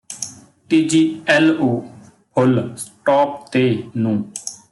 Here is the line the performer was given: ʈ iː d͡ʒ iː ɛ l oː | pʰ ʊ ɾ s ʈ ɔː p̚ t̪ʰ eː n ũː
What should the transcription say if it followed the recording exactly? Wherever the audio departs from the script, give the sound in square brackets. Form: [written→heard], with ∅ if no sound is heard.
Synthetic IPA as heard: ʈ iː d͡ʒ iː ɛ l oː | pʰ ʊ [ɾ→l] s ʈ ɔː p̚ [t̪ʰ→t̪] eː n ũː

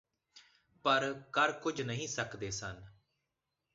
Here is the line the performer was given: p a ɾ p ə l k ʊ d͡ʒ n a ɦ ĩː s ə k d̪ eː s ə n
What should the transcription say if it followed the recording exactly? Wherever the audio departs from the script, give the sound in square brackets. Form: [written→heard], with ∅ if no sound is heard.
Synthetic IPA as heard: p [a→ə] ɾ [p→k] ə [l→ɾ] k ʊ d͡ʒ n [a→ə] ɦ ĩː s ə k d̪ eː s ə n

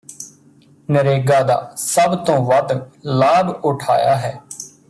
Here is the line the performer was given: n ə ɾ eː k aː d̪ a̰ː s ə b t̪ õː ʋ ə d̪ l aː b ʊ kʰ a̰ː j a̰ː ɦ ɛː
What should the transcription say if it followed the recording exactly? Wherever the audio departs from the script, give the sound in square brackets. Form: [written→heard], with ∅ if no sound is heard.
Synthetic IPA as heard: n ə ɾ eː [k→ɡ] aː d̪ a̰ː s ə b t̪ õː ʋ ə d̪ l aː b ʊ [kʰ→ʈʰ] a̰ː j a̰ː ɦ ɛː

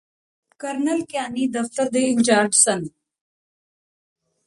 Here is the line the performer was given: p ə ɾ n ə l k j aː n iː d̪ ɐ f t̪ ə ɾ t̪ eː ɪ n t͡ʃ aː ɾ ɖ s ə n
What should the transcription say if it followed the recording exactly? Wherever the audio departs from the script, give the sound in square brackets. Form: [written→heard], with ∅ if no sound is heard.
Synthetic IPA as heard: [p→k] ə ɾ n ə l k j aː n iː d̪ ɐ f t̪ ə ɾ [t̪→d̪] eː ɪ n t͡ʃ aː ɾ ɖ s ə n

